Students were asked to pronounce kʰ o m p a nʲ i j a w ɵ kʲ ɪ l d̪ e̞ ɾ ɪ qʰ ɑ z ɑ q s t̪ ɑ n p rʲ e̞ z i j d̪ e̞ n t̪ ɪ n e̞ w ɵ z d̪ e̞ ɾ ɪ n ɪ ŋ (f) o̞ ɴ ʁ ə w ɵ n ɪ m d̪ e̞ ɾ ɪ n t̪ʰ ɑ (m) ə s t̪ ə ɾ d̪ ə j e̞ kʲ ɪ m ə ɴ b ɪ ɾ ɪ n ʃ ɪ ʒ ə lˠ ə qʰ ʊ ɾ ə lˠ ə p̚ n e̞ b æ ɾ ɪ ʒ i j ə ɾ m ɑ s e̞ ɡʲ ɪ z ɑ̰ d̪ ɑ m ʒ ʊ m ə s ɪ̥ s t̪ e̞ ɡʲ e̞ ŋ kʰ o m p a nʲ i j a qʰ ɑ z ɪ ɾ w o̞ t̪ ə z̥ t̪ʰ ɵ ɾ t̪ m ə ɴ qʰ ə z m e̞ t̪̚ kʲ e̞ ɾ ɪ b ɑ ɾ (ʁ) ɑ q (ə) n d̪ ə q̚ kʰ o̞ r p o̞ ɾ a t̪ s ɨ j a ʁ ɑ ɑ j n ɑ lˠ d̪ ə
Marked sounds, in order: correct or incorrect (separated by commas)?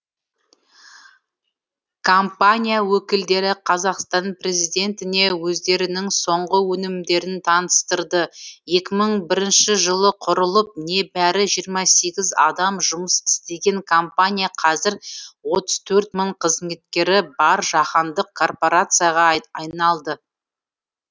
incorrect, incorrect, incorrect, incorrect